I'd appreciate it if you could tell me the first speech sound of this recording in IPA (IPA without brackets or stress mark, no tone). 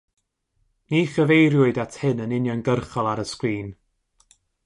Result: n